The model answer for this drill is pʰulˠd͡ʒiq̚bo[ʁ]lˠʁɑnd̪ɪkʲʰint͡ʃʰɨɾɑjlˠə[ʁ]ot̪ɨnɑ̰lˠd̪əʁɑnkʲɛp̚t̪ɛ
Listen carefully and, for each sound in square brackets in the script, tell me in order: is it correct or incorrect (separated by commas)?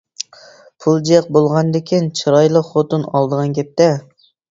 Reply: incorrect, incorrect